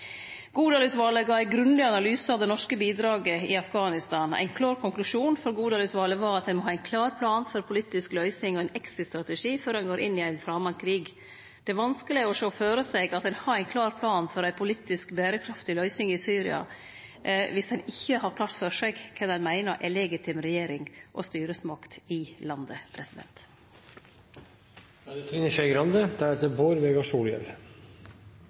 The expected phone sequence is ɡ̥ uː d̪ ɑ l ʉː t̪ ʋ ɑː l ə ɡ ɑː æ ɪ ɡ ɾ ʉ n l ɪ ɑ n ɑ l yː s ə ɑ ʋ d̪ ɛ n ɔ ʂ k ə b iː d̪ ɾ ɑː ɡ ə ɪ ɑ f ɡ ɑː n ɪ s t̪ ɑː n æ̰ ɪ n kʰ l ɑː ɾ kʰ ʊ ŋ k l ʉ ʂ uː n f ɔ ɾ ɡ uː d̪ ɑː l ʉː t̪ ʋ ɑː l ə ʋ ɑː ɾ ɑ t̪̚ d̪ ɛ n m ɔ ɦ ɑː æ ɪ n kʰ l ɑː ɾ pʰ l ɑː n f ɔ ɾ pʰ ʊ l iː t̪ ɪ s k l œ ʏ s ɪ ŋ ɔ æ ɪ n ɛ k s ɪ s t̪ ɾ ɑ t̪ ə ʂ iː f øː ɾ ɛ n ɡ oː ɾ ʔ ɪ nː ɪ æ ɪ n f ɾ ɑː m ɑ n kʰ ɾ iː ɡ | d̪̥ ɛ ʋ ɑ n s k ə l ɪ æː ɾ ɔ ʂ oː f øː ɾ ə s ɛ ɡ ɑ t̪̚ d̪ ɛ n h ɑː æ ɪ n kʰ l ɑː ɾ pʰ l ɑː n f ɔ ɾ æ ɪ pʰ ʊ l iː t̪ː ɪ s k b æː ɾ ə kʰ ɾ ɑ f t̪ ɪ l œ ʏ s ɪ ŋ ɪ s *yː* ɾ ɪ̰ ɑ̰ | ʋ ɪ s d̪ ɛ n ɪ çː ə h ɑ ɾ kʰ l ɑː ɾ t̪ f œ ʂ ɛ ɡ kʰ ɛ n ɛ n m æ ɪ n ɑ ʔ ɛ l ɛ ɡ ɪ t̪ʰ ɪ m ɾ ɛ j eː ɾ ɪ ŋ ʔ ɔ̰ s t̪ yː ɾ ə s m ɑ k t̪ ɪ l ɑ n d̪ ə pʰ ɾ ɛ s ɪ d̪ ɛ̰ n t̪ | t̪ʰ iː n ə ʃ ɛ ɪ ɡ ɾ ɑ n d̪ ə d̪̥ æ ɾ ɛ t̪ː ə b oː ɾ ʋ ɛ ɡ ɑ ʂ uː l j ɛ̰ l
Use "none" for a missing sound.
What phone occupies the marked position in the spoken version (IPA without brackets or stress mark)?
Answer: yː